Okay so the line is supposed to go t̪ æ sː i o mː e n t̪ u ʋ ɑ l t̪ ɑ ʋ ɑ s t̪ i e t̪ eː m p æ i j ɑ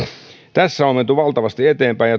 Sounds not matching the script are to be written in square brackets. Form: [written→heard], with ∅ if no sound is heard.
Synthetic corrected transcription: t̪ æ sː [i→æ] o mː e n t̪ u ʋ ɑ l t̪ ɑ ʋ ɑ s t̪ i e t̪ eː m p æ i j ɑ